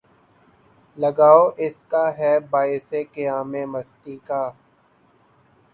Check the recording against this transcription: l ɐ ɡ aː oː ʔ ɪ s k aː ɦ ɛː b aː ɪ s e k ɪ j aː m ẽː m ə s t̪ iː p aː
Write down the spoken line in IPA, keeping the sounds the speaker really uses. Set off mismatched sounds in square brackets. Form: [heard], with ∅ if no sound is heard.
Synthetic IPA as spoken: l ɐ ɡ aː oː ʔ ɪ s k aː ɦ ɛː b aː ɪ s e k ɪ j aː m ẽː m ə s t̪ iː [k] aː